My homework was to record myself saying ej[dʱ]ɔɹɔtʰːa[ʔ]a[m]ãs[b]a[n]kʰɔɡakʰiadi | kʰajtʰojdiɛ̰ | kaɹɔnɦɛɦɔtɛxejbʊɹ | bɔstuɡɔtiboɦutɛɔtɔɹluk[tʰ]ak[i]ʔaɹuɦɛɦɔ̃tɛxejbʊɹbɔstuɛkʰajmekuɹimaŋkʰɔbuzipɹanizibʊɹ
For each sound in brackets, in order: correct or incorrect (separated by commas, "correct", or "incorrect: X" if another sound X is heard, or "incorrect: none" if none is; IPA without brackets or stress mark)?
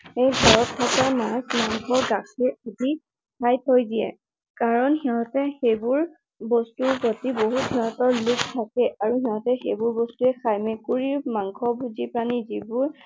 incorrect: ɡʱ, incorrect: k, correct, incorrect: m, incorrect: ŋ, correct, incorrect: ɛ